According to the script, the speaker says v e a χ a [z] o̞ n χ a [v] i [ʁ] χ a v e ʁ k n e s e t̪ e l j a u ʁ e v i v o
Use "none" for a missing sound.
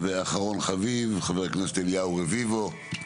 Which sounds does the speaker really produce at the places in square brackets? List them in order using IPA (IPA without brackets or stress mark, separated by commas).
ʁ, v, v